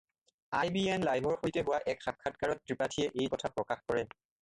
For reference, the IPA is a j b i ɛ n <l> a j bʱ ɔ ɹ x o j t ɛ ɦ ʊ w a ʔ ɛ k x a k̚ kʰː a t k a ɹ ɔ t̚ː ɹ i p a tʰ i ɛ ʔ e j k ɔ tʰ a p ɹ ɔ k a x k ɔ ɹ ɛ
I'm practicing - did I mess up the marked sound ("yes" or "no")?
no